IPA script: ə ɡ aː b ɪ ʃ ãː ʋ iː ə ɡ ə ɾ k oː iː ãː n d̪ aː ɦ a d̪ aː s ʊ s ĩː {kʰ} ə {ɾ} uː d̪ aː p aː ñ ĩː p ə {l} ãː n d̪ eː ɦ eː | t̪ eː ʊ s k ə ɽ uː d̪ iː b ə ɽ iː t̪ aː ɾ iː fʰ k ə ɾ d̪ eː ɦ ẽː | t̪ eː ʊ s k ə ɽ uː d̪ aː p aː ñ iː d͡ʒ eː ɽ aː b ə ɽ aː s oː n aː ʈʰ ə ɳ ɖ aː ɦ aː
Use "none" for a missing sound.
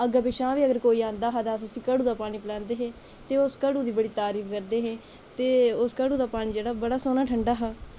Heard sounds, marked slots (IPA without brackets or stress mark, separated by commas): k, ɽ, l